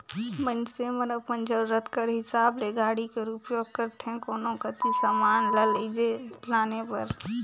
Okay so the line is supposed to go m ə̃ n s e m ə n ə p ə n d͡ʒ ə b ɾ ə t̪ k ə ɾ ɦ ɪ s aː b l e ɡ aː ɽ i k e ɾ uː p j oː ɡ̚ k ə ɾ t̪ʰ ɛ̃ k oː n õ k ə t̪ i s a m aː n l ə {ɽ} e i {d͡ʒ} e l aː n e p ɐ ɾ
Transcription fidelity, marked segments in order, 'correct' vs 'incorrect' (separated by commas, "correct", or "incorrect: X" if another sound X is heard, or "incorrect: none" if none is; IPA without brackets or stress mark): incorrect: l, correct